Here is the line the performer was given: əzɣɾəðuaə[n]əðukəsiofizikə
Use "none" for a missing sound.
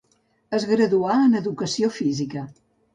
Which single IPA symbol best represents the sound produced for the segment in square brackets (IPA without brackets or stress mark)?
n